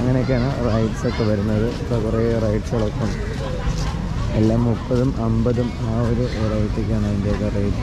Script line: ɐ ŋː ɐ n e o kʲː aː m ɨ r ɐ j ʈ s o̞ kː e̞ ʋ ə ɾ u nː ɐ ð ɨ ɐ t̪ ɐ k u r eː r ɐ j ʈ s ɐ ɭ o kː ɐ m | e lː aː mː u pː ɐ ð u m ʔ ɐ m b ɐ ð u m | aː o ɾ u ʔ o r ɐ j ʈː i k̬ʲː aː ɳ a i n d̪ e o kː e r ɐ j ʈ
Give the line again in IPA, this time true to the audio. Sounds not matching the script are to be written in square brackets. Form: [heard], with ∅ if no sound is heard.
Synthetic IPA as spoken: ɐ ŋː ɐ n e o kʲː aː [ɳ] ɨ r ɐ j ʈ s o̞ kː e̞ ʋ [ɐ] ɾ u nː ɐ ð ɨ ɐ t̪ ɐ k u r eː r ɐ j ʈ s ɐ ɭ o kː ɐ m | e lː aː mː u pː ɐ ð u m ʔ ɐ m b ɐ ð u m | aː o ɾ u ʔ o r ɐ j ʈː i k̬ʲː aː ɳ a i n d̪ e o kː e r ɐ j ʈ